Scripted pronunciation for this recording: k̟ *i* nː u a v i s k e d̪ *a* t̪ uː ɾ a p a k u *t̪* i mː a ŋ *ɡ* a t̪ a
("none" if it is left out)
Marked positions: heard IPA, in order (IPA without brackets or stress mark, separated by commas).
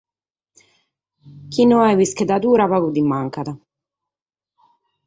i, a, d̪, k